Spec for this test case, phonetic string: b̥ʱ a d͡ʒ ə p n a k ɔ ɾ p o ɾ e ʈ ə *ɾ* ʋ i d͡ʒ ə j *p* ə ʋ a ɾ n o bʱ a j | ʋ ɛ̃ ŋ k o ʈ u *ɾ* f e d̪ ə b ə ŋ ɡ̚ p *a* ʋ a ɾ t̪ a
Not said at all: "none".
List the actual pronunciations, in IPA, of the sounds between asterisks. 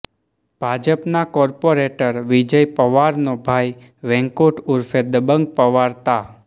ɾ, p, ɾ, ə

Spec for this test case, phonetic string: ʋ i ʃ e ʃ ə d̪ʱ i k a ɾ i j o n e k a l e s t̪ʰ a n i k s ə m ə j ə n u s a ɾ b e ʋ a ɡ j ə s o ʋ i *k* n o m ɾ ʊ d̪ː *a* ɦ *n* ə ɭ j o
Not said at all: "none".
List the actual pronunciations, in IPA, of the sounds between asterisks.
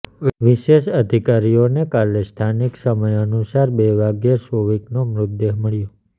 k, e, m

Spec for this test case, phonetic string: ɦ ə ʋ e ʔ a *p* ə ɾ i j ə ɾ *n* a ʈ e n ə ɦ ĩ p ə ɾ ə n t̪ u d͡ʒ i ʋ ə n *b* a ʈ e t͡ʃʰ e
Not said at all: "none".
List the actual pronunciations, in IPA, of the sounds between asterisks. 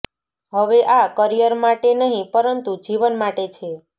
k, m, m

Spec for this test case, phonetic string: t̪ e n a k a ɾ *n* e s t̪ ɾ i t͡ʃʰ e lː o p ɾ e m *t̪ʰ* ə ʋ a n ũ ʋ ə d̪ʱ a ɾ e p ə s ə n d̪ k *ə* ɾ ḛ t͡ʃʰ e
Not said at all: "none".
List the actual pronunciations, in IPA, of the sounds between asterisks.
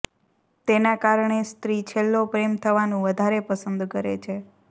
ɳ, t̪ʰ, ə

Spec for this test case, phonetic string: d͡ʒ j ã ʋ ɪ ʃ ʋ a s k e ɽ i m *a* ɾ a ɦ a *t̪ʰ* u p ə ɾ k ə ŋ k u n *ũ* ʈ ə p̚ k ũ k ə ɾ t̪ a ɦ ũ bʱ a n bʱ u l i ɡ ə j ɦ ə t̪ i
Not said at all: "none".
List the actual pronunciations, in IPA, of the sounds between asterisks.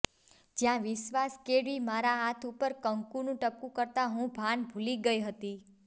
a, t̪ʰ, ũ

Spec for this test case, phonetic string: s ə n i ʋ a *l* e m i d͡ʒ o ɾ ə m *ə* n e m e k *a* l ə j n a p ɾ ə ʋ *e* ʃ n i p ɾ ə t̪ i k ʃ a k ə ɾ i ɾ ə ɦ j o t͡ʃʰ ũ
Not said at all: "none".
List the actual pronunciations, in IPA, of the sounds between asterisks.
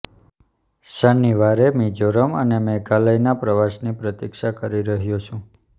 ɾ, ə, a, a

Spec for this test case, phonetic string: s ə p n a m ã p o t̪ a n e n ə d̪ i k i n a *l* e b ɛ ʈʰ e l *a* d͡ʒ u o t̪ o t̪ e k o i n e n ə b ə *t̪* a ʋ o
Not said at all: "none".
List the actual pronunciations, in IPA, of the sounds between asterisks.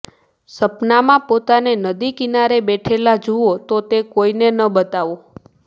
ɾ, a, t̪

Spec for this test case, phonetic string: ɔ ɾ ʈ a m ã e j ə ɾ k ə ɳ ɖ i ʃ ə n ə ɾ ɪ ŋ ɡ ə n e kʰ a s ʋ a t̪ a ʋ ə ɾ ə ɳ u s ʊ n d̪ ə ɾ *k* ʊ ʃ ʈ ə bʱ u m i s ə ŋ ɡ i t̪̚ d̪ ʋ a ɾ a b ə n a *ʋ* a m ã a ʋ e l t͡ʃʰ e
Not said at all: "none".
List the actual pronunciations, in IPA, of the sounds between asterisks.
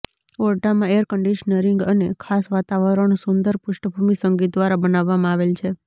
p, ʋː

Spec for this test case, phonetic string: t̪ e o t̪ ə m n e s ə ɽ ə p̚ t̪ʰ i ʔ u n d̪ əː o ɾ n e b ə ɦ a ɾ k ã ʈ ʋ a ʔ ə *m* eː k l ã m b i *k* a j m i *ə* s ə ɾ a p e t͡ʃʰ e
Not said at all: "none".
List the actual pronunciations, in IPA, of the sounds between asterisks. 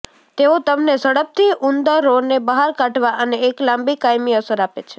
n, k, ə

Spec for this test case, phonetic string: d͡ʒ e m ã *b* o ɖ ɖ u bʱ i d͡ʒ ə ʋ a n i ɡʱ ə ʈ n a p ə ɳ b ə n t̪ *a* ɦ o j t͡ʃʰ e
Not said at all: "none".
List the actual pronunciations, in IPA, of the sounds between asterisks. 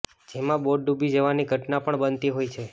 b, i

